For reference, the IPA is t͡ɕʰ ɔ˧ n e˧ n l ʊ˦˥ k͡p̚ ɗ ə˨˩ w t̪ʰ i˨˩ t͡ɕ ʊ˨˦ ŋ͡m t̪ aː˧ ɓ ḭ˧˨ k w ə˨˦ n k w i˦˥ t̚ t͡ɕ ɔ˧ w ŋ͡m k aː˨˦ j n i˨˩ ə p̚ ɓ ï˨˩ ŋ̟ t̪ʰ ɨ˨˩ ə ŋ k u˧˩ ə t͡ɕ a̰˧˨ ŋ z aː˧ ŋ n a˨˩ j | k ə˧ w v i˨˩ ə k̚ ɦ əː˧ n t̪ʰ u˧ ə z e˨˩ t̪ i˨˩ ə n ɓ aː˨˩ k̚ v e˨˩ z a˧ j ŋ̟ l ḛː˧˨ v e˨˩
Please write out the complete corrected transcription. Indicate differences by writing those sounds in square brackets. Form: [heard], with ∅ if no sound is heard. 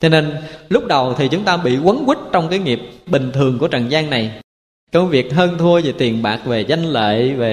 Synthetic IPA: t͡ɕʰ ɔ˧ n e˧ n l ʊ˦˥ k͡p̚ ɗ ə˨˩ w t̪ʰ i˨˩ t͡ɕ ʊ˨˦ ŋ͡m t̪ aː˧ ɓ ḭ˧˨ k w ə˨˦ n k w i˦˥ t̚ t͡ɕ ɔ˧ w ŋ͡m k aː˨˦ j [ŋ] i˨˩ ə p̚ ɓ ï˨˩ ŋ̟ t̪ʰ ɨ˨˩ ə ŋ k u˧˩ ə t͡ɕ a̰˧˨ ŋ z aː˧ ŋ n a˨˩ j | k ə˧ w v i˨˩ ə k̚ ɦ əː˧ n t̪ʰ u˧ ə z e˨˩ t̪ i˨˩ ə n ɓ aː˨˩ k̚ v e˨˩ z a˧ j ŋ̟ l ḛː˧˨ v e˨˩